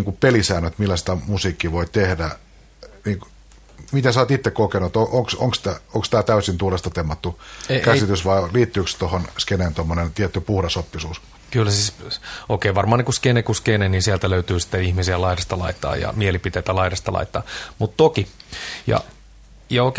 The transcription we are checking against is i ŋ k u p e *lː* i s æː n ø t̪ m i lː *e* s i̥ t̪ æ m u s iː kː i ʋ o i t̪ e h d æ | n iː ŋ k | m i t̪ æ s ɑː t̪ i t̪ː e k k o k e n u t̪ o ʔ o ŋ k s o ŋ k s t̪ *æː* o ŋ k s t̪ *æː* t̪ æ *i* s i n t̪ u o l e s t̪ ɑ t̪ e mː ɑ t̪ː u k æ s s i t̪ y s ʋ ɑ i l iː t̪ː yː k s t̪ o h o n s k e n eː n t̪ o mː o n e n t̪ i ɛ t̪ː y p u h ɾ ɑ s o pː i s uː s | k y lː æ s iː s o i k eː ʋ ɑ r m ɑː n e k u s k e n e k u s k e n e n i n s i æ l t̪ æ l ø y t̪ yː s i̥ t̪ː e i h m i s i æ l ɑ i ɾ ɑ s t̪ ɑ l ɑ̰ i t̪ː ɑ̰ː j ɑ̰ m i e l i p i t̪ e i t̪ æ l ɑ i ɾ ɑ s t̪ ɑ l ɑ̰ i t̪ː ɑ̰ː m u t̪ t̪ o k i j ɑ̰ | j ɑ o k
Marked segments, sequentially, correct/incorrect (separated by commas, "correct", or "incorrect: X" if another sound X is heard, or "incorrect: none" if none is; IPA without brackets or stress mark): incorrect: l, incorrect: æ, incorrect: æ, correct, incorrect: y